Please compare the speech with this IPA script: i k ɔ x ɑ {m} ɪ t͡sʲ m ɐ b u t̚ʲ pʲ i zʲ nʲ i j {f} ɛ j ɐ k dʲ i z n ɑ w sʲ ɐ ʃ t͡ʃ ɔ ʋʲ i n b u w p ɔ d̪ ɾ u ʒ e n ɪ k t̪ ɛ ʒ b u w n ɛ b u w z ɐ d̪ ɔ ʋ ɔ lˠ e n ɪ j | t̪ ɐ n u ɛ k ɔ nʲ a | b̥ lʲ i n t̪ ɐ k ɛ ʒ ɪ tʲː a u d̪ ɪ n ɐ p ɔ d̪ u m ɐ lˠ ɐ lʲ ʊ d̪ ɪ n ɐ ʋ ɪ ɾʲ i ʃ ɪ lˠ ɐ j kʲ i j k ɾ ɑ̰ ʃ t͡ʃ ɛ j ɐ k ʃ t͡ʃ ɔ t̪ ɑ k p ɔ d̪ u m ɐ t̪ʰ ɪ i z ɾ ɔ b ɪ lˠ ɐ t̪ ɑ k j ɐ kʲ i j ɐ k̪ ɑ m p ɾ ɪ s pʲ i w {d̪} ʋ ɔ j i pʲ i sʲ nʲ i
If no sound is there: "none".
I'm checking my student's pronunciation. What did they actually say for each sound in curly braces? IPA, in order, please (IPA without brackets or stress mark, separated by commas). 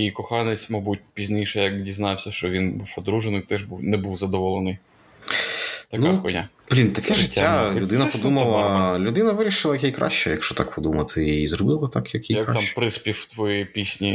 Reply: n, ʃ, t̪